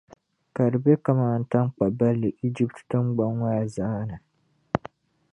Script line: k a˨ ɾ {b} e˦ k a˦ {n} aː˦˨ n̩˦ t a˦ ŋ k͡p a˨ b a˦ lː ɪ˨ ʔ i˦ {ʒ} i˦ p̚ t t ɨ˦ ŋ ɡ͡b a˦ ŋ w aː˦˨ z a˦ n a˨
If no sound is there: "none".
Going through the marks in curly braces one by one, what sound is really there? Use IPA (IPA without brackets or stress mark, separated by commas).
b, m, d͡ʒ